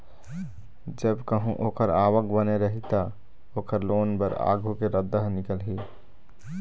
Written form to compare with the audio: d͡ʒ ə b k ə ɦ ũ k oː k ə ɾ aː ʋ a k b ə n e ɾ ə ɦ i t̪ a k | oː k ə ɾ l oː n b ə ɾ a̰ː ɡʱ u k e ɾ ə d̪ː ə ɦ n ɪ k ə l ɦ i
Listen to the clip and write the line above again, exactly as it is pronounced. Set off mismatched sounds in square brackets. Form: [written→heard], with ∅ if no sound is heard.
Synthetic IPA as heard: d͡ʒ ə b k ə ɦ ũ [k→ʔ] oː k ə ɾ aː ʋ [a→ə] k b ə n e ɾ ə ɦ i t̪ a [k→∅] | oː k ə ɾ l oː n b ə ɾ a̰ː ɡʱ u k e ɾ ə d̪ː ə ɦ n ɪ k ə l ɦ i